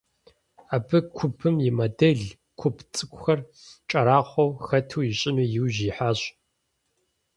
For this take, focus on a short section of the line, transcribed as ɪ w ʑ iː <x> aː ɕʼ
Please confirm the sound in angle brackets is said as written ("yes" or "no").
no